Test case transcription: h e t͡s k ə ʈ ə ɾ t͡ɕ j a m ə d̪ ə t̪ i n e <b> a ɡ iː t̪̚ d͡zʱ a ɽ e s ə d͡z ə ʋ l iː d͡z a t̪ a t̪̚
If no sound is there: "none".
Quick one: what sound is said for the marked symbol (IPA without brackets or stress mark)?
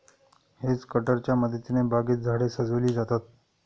b